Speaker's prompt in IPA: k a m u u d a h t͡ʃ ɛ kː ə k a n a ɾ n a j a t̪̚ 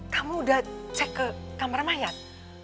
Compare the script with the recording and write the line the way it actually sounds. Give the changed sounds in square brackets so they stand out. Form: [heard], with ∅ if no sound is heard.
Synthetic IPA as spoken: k a m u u d a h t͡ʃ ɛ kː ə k a [m] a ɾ [m] a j a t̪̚